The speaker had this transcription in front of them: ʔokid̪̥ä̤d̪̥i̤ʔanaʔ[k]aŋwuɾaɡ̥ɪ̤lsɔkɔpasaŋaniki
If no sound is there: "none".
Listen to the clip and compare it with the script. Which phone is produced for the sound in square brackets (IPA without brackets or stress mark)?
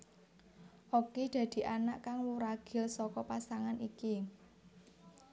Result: k